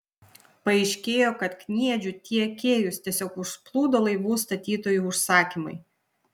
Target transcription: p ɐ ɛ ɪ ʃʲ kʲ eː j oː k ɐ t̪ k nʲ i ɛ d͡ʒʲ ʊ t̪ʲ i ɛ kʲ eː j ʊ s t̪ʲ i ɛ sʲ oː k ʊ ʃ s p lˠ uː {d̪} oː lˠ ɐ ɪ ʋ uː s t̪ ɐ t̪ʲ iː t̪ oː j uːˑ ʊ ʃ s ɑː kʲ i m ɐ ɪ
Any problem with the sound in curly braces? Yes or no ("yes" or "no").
no